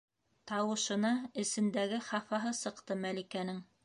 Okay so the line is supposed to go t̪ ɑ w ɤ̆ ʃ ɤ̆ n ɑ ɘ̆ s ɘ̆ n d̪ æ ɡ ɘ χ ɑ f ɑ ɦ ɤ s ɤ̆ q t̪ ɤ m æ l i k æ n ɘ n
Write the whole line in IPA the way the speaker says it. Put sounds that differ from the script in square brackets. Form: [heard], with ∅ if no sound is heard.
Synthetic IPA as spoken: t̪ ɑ w ɤ̆ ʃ ɤ̆ n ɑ ɘ̆ s ɘ̆ n d̪ æ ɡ ɘ χ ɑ f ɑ ɦ ɤ s ɤ̆ q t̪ ɤ m æ l i k æ n ɘ [ŋ]